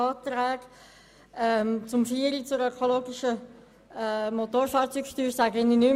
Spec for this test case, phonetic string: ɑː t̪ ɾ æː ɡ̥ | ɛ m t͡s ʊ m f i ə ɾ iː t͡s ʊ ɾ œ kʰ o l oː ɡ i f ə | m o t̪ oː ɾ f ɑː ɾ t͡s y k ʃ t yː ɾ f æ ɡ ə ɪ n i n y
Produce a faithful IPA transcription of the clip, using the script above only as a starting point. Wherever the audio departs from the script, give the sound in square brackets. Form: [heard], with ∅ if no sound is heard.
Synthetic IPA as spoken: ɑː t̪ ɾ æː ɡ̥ | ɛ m t͡s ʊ m f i ə ɾ [i] t͡s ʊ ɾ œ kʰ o l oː ɡ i [ʃ] ə | m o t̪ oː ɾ f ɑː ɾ t͡s y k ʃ t yː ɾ [s] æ ɡ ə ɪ n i n y